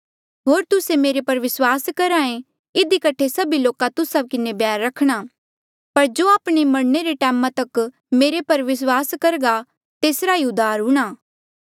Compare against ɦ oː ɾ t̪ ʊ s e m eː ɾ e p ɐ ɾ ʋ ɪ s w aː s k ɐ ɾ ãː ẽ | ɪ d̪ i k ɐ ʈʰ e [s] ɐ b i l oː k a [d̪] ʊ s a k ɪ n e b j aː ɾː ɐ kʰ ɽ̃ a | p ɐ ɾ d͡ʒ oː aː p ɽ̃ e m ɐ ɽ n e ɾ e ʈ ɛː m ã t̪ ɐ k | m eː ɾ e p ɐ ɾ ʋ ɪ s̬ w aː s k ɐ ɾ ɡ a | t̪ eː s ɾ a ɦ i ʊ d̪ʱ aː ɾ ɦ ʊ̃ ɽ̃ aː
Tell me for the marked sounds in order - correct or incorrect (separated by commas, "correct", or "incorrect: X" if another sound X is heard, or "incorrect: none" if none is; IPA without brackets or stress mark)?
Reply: correct, incorrect: t̪